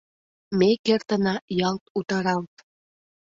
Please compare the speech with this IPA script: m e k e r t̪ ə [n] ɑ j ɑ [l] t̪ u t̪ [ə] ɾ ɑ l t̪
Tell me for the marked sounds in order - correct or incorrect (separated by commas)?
correct, correct, incorrect